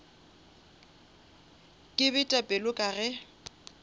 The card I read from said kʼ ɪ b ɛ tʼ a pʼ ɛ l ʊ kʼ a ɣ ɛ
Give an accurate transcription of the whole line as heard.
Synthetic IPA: kʼ ɪ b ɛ tʼ a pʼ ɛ l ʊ kʼ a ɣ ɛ